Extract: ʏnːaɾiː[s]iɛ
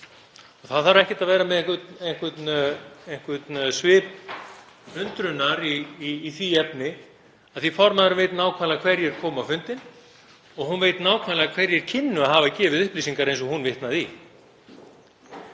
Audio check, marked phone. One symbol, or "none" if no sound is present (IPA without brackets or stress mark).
θ